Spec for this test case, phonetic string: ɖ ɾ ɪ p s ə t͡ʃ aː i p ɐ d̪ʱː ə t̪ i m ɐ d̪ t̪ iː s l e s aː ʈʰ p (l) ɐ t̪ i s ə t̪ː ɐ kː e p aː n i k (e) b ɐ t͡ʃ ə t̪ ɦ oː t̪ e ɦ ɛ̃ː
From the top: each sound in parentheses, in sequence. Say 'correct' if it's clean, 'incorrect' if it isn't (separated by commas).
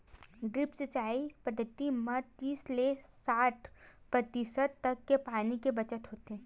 incorrect, correct